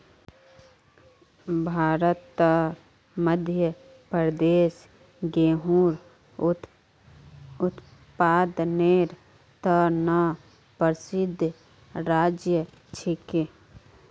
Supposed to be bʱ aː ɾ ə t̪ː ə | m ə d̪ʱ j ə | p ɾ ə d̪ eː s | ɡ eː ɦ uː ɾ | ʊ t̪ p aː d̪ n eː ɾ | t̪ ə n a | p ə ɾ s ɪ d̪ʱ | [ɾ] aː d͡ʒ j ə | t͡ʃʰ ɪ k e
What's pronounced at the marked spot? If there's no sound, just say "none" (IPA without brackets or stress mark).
ɾ